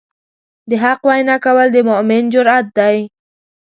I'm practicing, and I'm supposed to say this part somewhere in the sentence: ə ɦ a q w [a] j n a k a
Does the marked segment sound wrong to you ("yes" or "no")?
no